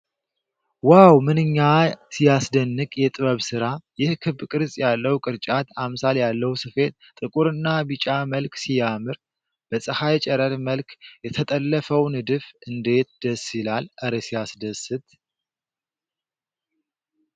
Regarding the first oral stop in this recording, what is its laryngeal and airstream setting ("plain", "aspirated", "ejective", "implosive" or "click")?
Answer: plain